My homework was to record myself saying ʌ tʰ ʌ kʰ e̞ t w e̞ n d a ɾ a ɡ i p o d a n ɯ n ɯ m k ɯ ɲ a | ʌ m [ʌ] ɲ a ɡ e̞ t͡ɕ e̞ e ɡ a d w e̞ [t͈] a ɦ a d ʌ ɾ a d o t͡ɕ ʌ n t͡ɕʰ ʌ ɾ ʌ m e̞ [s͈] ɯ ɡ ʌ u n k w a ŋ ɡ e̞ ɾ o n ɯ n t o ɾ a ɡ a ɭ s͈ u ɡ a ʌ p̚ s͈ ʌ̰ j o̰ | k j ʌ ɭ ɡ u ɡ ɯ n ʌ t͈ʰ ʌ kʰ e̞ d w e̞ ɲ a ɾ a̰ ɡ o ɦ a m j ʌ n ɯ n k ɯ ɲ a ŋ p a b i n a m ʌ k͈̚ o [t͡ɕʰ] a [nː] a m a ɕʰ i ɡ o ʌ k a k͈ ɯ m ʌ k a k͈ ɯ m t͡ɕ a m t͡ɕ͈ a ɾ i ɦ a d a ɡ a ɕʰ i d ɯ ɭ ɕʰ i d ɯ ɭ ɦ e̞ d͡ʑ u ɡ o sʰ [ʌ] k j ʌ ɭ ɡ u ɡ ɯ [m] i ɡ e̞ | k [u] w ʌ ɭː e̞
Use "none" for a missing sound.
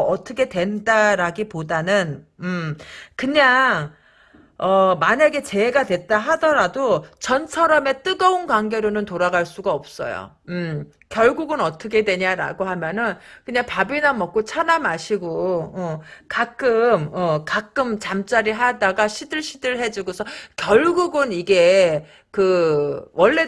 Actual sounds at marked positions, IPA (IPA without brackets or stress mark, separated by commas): a, t͈, t͈, t͡ɕʰ, n, ʌ, n, ɯ